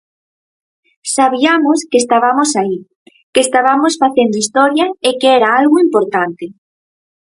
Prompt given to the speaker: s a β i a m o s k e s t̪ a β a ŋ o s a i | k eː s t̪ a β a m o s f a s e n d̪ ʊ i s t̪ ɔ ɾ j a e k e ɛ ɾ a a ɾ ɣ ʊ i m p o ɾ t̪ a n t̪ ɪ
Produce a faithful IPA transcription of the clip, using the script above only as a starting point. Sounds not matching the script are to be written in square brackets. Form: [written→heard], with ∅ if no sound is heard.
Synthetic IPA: s a β i a m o s k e s t̪ a β a [ŋ→m] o s a i | k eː s t̪ a β a m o s f a [s→θ] e n d̪ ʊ i s t̪ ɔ ɾ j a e k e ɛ ɾ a a [ɾ→l] ɣ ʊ i m p o ɾ t̪ a n t̪ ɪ

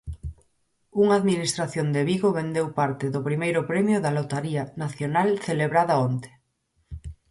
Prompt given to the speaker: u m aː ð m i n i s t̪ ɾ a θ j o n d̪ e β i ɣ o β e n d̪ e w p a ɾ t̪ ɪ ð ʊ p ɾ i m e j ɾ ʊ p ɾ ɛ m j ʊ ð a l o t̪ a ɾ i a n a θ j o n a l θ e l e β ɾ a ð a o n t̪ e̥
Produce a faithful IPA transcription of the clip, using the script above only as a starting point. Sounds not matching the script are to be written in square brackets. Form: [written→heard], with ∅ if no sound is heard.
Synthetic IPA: u [m→ŋ] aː ð m i n i s t̪ ɾ a θ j o n d̪ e β i ɣ o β e n d̪ e w p a ɾ t̪ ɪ ð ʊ p ɾ i m e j ɾ ʊ p ɾ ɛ m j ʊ ð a l o t̪ a ɾ i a n a θ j o n a l θ e l e β ɾ a ð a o n t̪ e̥

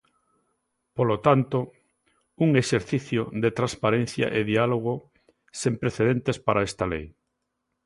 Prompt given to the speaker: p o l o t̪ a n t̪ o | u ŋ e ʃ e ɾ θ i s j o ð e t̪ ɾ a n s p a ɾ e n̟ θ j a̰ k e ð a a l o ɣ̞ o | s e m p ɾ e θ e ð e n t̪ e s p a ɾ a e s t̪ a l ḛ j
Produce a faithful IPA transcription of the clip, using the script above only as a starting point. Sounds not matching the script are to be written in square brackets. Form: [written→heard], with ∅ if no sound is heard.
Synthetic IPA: p o l o t̪ a n t̪ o | u ŋ e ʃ e ɾ θ i [s→θ] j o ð e t̪ ɾ a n s p a ɾ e n̟ θ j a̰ [k→ʔ] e ð [a→i] a l o ɣ̞ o | s e m p ɾ e θ e ð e n t̪ e s p a ɾ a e s t̪ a l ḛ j

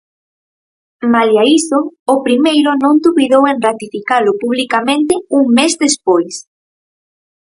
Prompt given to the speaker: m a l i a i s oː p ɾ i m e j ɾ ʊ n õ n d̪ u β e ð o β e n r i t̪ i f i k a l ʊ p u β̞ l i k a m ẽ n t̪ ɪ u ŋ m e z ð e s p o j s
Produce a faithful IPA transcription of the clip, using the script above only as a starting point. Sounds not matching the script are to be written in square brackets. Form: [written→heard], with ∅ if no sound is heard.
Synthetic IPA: m a l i a i s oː p ɾ i m e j ɾ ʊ n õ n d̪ u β [e→i] ð o [β→w] e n r [i→a] t̪ i f i k a l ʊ p u β̞ l i k a m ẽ n t̪ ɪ u ŋ m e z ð e s p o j s

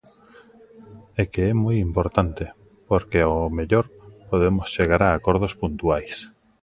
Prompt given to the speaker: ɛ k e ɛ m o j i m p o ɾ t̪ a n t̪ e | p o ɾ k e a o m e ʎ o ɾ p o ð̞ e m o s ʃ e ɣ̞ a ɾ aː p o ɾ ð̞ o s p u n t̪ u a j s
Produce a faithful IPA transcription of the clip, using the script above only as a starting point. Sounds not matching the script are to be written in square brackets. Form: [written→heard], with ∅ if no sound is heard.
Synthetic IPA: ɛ k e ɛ m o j i m p o ɾ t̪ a n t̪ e | p o ɾ k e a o m e ʎ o ɾ p o ð̞ e m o s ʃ e ɣ̞ a ɾ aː [p→k] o ɾ ð̞ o s p u n t̪ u a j s

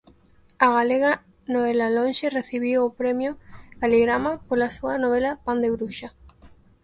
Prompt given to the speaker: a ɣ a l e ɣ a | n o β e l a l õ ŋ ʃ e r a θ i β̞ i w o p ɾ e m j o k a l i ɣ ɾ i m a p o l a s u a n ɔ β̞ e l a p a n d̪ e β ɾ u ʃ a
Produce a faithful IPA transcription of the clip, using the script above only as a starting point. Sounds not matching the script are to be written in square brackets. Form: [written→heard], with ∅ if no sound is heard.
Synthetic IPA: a ɣ a l e ɣ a | n o β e l a l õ [ŋ→n] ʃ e r [a→e] θ i β̞ i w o p ɾ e m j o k a l i ɣ ɾ [i→a] m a p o l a s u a n [ɔ→o] β̞ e l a p a n d̪ e β ɾ u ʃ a

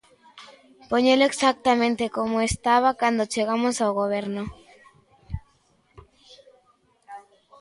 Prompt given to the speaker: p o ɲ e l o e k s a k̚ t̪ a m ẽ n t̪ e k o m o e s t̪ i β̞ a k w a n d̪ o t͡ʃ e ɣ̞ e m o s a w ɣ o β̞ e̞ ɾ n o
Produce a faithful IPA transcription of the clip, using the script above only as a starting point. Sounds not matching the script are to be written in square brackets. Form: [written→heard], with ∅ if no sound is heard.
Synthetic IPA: p o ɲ e l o e k s a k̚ t̪ a m ẽ n t̪ e k o m o e s t̪ [i→a] β̞ a k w a n d̪ o t͡ʃ e ɣ̞ [e→a] m o s a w ɣ o β̞ e̞ ɾ n o

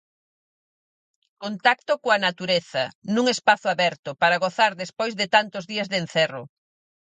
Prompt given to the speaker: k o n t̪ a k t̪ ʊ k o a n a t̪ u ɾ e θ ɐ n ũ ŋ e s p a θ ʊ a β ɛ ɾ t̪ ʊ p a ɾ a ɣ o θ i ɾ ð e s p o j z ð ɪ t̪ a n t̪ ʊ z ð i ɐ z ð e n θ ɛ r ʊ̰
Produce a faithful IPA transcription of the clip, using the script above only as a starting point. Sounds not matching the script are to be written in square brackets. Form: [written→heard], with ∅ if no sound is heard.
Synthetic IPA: k o n t̪ a k t̪ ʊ k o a n a t̪ u ɾ e θ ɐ n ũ ŋ e s p a θ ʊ a β ɛ ɾ t̪ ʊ p a ɾ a ɣ o θ [i→a] ɾ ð e s p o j z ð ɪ t̪ a n t̪ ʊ z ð i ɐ z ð e n θ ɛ r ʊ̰

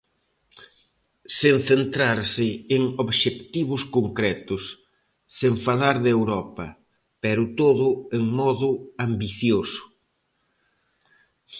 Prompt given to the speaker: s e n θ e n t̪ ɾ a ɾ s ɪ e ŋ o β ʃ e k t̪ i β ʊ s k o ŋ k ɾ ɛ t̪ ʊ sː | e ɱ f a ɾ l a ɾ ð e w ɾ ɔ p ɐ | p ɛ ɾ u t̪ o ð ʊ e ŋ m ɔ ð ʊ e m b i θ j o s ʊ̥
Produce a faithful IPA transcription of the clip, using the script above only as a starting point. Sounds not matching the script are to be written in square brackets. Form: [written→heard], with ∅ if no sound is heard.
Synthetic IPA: s e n θ e n t̪ ɾ a ɾ s ɪ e ŋ o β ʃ e k t̪ i β ʊ s k o ŋ k ɾ ɛ t̪ ʊ sː | e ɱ f a [ɾ→∅] l a ɾ ð e w ɾ ɔ p ɐ | p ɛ ɾ [u→ʊ] t̪ o ð ʊ e ŋ m ɔ ð ʊ [e→a] m b i θ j o s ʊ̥

